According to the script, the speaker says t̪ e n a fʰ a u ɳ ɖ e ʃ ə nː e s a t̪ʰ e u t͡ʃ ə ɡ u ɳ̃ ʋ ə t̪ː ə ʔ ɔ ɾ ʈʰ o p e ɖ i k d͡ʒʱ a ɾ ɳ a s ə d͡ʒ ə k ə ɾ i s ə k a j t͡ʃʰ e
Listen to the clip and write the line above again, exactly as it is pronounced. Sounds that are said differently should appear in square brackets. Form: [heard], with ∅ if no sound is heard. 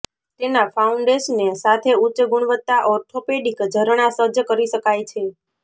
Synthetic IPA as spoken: t̪ e n a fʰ a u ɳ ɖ e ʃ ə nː e s a t̪ʰ e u t͡ʃ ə ɡ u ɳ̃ ʋ ə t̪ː [a] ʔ ɔ ɾ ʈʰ o p e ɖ i k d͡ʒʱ [ə] ɾ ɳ a s ə d͡ʒ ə k ə ɾ i [ʃ] ə k a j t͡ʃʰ e

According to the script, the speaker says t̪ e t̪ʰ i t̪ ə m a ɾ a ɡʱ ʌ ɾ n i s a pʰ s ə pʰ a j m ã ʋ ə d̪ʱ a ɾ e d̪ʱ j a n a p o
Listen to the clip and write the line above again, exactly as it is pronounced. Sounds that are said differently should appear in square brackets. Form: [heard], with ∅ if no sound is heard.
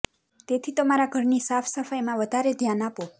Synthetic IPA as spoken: t̪ e t̪ʰ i t̪ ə m a ɾ a ɡʱ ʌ ɾ n i s a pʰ s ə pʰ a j m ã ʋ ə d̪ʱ a ɾ e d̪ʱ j a n a p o

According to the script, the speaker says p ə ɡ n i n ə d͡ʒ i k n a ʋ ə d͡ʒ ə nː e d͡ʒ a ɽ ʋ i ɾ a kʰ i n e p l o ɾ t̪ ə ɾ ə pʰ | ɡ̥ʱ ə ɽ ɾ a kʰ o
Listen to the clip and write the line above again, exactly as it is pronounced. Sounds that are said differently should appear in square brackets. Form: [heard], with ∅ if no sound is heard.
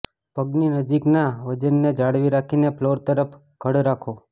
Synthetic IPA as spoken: p ə ɡ n i n ə d͡ʒ i k n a ʋ ə d͡ʒ ə nː e d͡ʒ a ɽ ʋ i ɾ a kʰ i n e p l o ɾ t̪ ə ɾ ə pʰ | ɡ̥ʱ ə ɽ ɾ a kʰ o

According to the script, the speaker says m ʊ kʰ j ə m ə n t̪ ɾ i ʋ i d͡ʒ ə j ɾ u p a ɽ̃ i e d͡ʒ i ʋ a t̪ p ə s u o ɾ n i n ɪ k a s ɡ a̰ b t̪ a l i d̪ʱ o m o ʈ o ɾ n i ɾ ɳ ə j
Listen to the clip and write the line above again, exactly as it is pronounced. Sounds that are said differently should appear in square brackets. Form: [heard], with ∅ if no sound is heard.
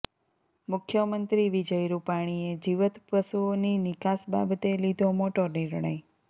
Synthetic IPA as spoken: m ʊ kʰ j ə m ə n t̪ ɾ i ʋ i d͡ʒ ə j ɾ u p a ɽ̃ i e d͡ʒ i ʋ [ə] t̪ p ə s u o [∅] n i n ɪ k a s [b] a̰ b t̪ [e] l i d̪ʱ o m o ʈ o ɾ n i ɾ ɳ ə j

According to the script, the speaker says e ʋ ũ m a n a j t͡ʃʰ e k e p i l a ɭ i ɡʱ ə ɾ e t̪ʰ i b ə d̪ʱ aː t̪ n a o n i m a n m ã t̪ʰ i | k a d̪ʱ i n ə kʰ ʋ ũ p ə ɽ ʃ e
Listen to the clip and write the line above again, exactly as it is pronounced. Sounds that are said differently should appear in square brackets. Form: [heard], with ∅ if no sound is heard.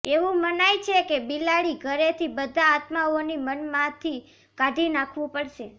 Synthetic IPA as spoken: e ʋ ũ m [ə] n a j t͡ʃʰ e k e [b] i l a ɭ i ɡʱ ə ɾ e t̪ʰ i b ə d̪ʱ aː t̪ [m] a o n i m [ə] n m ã t̪ʰ i | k a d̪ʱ i n [a] kʰ ʋ ũ p ə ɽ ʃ e

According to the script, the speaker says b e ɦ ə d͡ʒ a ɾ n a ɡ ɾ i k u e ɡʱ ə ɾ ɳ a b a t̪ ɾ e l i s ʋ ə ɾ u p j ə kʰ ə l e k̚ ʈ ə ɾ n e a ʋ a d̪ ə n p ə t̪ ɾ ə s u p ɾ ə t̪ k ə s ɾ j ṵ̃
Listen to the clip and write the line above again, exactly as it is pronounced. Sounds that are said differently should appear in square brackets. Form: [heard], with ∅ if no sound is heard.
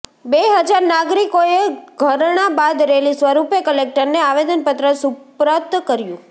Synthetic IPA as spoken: b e ɦ ə d͡ʒ a ɾ n a ɡ ɾ i k [o] e ɡʱ ə ɾ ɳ a b a [d̪] ɾ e l i s ʋ ə ɾ u p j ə [k] ə l e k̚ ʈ ə ɾ n e a ʋ [e] d̪ ə n p ə t̪ ɾ ə s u p ɾ ə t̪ k ə [∅] ɾ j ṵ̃

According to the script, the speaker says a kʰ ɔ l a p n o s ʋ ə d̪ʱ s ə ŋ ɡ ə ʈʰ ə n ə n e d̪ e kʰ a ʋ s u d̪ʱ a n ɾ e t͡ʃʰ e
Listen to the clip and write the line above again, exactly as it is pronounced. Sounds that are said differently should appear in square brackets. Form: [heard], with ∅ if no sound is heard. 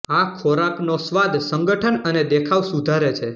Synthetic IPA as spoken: a kʰ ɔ [ɾ] a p n o s ʋ [a] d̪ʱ s ə ŋ ɡ ə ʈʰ ə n ə n e d̪ e kʰ a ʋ s u d̪ʱ a [∅] ɾ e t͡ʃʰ e

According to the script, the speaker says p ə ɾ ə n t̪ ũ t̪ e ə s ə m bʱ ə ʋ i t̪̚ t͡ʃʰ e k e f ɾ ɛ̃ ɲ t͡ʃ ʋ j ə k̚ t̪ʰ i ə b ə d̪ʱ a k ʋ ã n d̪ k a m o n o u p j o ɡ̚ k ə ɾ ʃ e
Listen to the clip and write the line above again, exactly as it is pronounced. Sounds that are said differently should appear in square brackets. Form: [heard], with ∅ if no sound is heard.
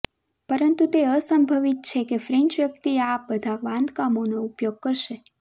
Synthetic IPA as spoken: p ə ɾ ə n t̪ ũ t̪ e ə s ə m bʱ ə ʋ i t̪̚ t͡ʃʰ e k e f ɾ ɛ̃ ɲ t͡ʃ ʋ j ə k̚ [t̪] i [a] b ə d̪ʱ a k ʋ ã n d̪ k a m o n o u p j o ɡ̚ k ə ɾ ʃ e

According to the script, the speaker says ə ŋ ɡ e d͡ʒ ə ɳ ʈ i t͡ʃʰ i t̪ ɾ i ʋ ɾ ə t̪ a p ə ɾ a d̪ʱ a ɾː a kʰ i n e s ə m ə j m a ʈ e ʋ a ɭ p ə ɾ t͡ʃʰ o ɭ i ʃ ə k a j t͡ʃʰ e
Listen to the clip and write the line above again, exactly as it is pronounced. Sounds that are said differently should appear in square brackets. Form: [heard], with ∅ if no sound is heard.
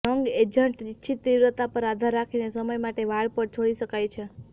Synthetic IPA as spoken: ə ŋ ɡ e d͡ʒ ə ɳ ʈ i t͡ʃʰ i t̪ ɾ i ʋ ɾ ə t̪ a p ə ɾ a d̪ʱ a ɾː a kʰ i n e s ə m ə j m a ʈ e ʋ a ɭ p ə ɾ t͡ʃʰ o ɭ i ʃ ə k a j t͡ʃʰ e

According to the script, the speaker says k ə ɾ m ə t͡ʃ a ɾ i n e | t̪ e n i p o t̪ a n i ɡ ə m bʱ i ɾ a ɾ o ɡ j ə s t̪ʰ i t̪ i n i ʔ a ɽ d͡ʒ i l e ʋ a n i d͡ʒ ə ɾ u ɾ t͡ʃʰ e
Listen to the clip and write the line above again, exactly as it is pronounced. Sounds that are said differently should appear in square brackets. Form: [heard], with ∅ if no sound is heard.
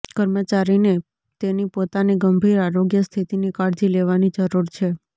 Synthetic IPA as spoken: k ə ɾ m ə t͡ʃ a ɾ i n e | t̪ e n i p o t̪ a n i ɡ ə m bʱ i ɾ a ɾ o ɡ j ə s t̪ʰ i t̪ i n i [k] a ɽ d͡ʒ i l e ʋ a n i d͡ʒ ə ɾ u ɾ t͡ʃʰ e

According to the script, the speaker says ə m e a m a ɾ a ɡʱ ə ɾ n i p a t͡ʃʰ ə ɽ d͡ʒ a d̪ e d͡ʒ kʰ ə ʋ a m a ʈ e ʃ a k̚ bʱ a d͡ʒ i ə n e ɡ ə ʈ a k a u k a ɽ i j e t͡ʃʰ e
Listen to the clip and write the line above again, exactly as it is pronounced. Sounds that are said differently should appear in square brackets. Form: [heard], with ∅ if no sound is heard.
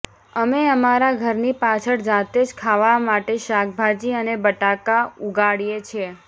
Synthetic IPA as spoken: ə m e [ə] m a ɾ a ɡʱ ə ɾ n i p a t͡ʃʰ ə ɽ d͡ʒ a [t̪] e d͡ʒ kʰ [a] ʋ a m a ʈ e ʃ a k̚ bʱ a d͡ʒ i ə n e [b] ə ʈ a k a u [ɡ] a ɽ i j e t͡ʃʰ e

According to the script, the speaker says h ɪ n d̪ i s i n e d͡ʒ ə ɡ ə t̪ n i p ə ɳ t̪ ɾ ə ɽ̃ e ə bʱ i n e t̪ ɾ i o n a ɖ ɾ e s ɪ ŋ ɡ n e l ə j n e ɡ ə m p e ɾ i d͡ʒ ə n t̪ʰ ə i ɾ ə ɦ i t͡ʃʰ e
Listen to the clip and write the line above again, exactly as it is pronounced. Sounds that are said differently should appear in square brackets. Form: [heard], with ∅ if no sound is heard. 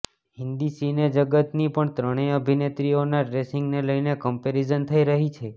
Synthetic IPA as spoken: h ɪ n d̪ i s i n e d͡ʒ ə ɡ ə t̪ n i p ə ɳ t̪ ɾ ə ɽ̃ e ə bʱ i n e t̪ ɾ i o n a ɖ ɾ e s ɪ ŋ ɡ n e l ə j n e [k] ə m p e ɾ i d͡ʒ ə n t̪ʰ ə i ɾ ə ɦ i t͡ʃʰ e

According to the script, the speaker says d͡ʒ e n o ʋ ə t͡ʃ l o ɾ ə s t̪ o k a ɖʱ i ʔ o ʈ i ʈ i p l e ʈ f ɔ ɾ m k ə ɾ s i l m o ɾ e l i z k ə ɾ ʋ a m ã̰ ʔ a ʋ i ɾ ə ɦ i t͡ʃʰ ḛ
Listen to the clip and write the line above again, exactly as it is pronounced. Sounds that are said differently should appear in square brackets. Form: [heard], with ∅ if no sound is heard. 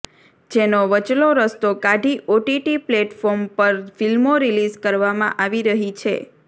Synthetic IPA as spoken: d͡ʒ e n o ʋ ə t͡ʃ l o ɾ ə s t̪ o k a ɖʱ i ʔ o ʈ i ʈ i p l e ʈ f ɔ ɾ m [p] ə ɾ [f] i l m o ɾ [i] l i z k ə ɾ ʋ a m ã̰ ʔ a ʋ i ɾ ə ɦ i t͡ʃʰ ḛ

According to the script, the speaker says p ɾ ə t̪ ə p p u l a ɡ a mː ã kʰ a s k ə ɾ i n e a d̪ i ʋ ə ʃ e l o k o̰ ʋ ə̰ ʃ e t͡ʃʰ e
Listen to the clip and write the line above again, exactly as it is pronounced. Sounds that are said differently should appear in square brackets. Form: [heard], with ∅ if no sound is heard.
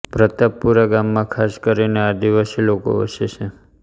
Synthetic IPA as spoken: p ɾ ə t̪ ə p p u [ɾ] a ɡ a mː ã kʰ a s k ə ɾ i n e a d̪ i ʋ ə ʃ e l o k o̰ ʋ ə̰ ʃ e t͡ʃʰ e

